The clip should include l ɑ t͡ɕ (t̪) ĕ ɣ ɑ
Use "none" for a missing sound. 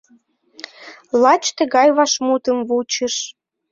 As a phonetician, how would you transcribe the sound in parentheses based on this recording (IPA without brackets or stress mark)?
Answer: t̪